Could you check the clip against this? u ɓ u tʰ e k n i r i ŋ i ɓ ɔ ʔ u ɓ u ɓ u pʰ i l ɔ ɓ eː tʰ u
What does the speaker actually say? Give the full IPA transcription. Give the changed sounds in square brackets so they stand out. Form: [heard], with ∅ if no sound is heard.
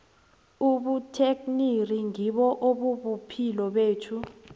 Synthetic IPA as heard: u ɓ u tʰ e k n i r i ŋ i ɓ ɔ ʔ [o] ɓ u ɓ u pʰ i l ɔ ɓ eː tʰ u